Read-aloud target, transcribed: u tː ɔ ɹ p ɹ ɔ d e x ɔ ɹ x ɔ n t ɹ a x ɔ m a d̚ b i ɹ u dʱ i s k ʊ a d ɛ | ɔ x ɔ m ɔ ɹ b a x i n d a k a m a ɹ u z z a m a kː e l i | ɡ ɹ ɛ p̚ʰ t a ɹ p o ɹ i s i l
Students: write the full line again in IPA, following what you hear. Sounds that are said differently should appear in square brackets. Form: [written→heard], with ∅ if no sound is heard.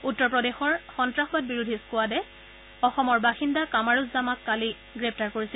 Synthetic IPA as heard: u tː ɔ ɹ p ɹ ɔ d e x ɔ ɹ x ɔ n t ɹ a x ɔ [m→b] a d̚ b i ɹ u dʱ i s k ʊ a d ɛ | ɔ x ɔ m ɔ ɹ b a x i n d a k a m a ɹ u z z a m a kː [e→a] l i | ɡ ɹ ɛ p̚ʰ t a ɹ [p→k] o ɹ i s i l